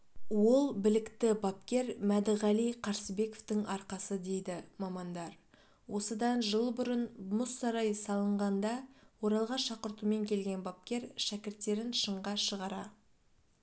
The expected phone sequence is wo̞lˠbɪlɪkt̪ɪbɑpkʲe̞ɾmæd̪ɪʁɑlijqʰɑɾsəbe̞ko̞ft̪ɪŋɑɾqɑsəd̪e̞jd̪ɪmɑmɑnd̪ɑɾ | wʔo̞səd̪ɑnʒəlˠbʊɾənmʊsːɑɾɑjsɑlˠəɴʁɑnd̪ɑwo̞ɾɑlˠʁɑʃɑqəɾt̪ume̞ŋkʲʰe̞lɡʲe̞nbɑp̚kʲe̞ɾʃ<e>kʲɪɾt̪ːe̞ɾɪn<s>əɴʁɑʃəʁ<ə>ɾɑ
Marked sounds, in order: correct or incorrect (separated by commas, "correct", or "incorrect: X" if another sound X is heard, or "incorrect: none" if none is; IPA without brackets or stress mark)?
incorrect: æ, incorrect: ʃ, incorrect: ɑ